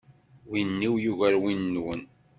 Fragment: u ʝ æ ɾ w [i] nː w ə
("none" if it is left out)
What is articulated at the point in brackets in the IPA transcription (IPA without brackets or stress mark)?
i